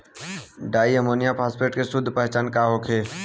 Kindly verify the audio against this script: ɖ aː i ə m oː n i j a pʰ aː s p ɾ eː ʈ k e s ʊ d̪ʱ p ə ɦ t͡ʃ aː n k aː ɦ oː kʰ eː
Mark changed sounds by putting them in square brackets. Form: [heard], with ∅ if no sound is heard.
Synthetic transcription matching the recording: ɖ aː i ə m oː n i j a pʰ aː s p ɾ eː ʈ k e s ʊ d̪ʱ p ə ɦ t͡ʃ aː n k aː ɦ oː kʰ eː